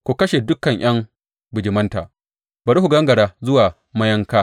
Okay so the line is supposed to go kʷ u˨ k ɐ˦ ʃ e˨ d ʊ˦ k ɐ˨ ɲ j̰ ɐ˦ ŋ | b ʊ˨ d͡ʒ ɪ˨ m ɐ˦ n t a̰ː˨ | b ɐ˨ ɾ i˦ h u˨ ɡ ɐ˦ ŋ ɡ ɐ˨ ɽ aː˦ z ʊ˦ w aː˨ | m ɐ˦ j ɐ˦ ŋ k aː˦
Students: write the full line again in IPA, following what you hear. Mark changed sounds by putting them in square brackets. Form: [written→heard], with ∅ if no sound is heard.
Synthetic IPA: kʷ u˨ k ɐ˦ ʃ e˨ d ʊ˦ k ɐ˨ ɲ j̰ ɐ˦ ŋ | b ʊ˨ d͡ʒ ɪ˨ m ɐ˦ n t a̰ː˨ | b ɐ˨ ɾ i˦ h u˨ ɡ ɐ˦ ŋ ɡ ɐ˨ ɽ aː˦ z ʊ˦ w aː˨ | m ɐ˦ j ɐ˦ ŋ k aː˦